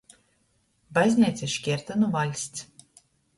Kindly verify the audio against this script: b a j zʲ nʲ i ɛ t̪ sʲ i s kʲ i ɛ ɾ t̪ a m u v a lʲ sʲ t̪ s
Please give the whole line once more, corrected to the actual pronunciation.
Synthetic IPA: b a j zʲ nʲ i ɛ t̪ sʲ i ʃ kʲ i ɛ ɾ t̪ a n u v a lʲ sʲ t̪ s